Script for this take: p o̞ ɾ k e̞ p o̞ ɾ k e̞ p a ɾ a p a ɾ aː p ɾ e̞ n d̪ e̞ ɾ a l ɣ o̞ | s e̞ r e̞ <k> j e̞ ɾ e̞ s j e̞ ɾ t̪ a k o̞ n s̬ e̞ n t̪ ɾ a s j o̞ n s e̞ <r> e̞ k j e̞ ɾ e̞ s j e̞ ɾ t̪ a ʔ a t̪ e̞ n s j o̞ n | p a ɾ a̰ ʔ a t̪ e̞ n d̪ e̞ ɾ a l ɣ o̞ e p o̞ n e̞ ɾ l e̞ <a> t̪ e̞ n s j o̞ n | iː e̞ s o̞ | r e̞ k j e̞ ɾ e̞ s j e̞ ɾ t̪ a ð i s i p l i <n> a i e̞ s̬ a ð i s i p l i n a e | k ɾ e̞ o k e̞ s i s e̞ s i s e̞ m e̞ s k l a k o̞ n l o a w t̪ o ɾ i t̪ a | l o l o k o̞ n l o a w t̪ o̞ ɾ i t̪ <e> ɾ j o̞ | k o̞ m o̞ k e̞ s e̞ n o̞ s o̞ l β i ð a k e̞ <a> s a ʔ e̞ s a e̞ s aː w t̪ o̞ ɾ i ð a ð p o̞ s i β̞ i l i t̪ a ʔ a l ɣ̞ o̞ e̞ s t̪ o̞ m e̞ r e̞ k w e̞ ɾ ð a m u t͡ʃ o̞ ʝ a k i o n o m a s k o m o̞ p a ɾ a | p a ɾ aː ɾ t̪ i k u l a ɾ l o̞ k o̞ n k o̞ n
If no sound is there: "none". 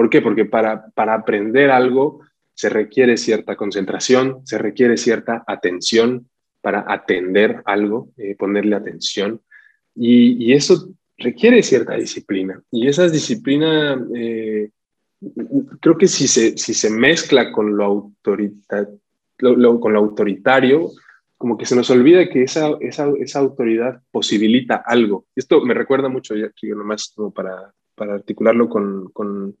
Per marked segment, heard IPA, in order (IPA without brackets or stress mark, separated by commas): k, r, a, n, a, e